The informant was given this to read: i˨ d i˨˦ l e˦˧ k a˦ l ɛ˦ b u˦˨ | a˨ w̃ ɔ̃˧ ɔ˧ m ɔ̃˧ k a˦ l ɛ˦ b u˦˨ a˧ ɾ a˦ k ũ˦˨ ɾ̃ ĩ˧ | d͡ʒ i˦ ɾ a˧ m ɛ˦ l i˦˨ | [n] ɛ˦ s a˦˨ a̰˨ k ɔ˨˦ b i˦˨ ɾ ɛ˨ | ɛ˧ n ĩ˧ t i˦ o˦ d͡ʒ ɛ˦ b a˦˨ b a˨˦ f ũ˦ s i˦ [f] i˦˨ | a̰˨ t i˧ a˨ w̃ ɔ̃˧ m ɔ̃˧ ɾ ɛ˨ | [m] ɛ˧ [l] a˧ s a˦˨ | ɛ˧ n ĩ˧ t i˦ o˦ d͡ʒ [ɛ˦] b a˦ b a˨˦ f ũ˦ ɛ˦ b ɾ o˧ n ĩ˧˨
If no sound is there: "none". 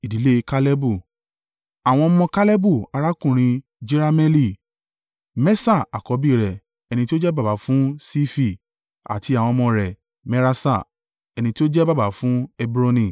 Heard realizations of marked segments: m, f, m, ɾ, ɛ˦

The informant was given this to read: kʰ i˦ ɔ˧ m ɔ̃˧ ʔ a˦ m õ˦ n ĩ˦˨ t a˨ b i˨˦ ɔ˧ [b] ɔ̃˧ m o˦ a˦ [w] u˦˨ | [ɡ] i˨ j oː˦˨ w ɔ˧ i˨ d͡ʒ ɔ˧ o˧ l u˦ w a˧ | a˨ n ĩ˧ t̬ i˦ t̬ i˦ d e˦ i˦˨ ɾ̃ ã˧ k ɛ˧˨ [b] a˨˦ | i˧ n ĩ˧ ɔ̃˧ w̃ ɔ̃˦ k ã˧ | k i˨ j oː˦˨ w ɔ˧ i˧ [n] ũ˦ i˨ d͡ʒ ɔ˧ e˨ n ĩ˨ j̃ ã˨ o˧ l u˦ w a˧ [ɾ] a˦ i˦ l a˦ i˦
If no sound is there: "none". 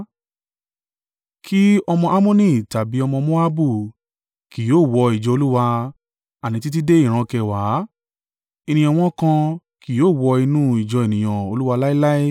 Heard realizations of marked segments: m, b, k, w, n, l

